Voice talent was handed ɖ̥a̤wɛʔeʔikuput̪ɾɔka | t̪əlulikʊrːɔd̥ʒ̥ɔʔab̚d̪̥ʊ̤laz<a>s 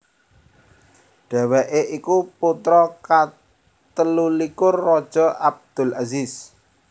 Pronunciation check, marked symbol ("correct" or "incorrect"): incorrect